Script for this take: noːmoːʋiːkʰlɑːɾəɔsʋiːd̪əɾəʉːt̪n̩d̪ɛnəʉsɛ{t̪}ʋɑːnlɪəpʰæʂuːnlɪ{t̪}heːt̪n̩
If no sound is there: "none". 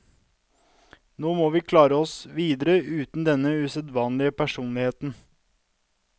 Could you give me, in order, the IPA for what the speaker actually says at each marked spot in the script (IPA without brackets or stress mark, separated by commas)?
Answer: d̪, none